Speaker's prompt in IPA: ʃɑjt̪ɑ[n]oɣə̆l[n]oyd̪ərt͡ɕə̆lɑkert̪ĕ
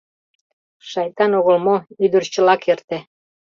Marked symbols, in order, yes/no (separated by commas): yes, no